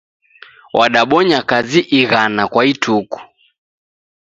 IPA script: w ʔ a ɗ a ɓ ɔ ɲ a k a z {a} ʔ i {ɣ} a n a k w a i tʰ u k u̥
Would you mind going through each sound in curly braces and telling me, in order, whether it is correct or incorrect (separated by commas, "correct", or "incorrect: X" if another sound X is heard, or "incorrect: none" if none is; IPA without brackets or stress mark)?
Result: incorrect: i, correct